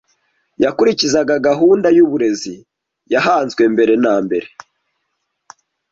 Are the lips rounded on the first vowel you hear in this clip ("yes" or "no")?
no